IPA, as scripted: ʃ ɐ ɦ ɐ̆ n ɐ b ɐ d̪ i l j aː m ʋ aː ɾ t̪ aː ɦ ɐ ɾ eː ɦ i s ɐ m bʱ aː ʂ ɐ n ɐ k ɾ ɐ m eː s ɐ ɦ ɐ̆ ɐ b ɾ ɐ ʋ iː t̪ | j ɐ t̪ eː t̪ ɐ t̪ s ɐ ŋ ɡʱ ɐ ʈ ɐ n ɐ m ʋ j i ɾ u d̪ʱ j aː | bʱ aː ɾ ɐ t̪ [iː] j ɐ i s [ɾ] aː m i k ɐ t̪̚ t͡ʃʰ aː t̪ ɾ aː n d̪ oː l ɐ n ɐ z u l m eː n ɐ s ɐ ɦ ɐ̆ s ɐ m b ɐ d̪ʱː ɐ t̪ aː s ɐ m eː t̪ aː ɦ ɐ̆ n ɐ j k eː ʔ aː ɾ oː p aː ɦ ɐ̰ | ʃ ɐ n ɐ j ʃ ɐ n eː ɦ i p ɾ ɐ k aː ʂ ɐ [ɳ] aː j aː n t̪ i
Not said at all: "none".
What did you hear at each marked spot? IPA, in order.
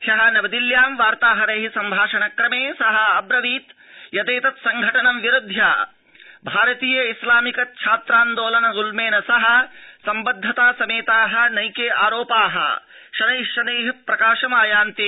iː, l, m

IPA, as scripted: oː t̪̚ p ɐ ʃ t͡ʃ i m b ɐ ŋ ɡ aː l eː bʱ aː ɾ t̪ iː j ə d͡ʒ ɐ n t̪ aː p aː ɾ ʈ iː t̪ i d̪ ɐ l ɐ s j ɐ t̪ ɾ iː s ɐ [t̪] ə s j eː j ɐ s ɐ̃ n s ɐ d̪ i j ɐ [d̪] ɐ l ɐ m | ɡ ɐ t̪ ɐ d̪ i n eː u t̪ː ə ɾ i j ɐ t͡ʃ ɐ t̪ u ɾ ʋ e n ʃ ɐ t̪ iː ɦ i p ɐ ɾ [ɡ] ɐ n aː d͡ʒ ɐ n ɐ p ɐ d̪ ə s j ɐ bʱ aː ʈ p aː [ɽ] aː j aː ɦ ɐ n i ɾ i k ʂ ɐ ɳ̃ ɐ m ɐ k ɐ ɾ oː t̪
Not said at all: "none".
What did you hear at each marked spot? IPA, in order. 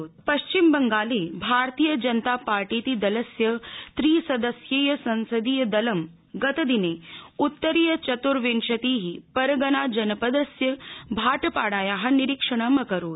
d̪, d̪, ɡ, ɽ

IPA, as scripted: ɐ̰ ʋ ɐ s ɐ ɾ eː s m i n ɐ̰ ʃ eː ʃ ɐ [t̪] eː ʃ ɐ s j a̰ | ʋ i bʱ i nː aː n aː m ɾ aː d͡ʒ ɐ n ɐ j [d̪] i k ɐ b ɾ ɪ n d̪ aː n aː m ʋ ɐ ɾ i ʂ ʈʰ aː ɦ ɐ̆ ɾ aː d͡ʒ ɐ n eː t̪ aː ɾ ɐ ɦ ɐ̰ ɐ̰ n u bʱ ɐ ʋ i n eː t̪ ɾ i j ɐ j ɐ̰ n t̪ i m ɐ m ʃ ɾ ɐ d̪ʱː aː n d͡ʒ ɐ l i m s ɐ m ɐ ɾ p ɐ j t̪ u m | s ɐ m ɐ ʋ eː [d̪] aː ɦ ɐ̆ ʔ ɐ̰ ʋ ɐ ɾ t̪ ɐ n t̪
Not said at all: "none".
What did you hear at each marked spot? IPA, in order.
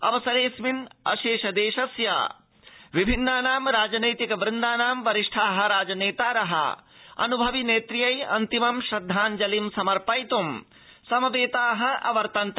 d̪, t̪, t̪

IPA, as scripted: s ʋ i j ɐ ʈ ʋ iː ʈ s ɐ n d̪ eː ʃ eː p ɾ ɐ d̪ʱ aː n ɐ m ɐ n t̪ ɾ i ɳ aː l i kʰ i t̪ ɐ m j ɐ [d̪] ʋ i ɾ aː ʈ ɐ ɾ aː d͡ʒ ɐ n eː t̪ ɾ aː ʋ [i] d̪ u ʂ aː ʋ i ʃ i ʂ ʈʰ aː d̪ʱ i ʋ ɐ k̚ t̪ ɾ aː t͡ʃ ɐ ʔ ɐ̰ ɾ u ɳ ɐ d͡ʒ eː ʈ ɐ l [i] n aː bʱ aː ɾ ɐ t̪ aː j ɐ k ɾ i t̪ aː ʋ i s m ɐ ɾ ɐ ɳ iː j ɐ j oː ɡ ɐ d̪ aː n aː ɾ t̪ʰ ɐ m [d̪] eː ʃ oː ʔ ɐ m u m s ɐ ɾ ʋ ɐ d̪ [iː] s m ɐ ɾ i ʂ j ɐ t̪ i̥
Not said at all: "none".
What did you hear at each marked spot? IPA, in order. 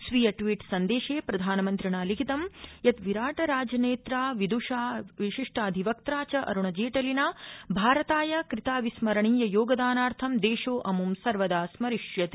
t̪, i, i, d̪, aː

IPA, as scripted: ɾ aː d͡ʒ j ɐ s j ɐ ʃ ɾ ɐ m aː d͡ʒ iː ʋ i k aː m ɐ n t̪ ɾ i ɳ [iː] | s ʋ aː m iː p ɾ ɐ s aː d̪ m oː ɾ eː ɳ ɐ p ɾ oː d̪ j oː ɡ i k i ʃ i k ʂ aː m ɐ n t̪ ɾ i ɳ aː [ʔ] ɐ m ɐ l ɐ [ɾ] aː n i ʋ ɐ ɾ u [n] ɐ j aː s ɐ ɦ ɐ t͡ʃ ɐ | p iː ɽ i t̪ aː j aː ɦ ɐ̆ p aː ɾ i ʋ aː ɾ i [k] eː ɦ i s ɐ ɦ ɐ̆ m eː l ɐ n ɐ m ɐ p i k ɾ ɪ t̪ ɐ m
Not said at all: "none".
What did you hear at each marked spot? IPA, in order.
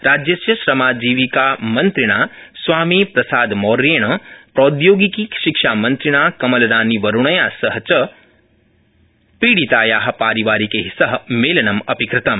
aː, k, ɾ, ɳ, k

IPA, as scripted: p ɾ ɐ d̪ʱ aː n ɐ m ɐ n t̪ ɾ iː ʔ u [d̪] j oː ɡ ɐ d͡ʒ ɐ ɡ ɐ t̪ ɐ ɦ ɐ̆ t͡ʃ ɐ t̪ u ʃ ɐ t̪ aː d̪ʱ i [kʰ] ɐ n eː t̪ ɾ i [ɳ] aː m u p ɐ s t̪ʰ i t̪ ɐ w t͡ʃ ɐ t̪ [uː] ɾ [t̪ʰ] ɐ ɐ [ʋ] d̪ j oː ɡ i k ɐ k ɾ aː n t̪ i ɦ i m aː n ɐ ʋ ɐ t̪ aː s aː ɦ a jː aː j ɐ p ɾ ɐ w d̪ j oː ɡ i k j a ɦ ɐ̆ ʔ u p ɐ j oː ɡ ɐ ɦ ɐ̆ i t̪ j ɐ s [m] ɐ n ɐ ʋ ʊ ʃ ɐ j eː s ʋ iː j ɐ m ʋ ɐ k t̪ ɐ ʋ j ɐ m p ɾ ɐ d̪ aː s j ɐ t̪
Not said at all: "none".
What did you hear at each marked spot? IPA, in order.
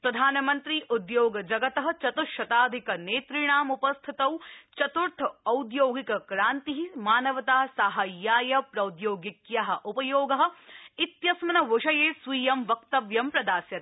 d̪, k, ɳ, u, t̪ʰ, w, m

